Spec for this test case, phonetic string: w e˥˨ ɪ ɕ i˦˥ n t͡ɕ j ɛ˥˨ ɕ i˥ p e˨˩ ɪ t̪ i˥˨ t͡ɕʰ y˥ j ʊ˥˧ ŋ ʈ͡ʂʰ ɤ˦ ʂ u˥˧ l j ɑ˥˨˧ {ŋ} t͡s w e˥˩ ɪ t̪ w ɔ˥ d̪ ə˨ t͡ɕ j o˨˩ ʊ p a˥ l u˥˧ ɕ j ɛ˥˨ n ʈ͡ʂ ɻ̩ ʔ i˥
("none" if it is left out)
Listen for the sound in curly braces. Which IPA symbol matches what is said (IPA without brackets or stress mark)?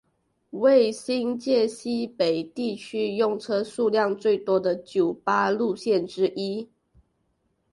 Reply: ŋ